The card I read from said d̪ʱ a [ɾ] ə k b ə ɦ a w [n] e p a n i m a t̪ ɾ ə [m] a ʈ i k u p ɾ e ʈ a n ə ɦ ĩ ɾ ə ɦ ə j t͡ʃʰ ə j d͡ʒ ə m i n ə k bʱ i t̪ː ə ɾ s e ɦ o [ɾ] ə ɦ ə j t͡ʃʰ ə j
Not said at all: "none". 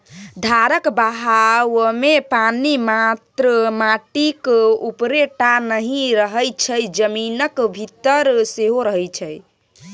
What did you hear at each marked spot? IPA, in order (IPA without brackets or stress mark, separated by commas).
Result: ɾ, m, m, ɾ